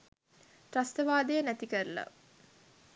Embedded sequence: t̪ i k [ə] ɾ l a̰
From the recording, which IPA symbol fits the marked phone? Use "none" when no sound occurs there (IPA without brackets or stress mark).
ə